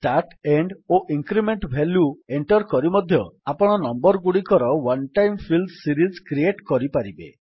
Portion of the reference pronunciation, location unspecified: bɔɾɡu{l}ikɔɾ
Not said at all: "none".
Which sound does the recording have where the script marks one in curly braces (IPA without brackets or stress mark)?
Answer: ɽ